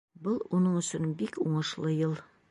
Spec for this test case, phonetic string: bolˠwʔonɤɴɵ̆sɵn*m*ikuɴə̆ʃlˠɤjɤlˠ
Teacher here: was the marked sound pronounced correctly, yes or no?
no